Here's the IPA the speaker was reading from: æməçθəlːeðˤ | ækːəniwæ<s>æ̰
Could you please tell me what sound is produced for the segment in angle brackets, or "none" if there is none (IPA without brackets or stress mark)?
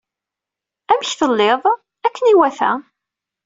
θ